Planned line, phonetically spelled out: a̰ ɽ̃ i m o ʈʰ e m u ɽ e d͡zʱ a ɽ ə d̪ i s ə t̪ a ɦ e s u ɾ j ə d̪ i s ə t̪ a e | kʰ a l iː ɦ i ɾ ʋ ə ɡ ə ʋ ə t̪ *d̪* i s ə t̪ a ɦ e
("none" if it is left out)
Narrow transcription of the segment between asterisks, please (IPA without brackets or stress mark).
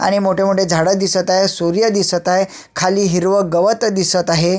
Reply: d̪